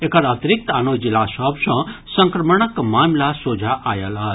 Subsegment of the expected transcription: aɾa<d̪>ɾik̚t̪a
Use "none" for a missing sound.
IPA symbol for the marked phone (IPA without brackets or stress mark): t̪